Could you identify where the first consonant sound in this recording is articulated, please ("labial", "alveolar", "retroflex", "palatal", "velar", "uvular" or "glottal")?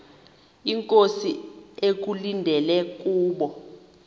velar